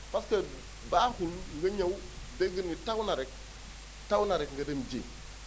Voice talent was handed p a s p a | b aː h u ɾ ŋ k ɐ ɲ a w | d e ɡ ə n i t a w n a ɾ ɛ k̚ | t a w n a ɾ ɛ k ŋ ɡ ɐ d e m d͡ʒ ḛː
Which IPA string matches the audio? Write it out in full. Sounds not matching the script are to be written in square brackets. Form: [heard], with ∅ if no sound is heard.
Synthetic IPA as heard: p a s [k] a | b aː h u [l] ŋ [ɡ] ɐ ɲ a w | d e ɡ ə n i t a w n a ɾ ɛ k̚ | t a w n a ɾ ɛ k ŋ ɡ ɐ d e m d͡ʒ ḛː